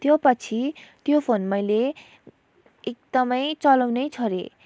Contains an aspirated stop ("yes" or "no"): yes